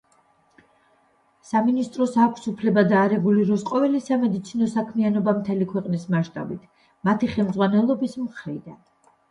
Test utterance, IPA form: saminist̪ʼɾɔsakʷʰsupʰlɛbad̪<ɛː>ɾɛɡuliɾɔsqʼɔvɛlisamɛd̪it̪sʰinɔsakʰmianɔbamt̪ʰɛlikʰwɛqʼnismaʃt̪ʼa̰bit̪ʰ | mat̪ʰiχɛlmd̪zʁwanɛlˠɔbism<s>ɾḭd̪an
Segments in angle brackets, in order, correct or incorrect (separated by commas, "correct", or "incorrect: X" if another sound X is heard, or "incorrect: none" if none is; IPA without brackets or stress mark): incorrect: aː, incorrect: χ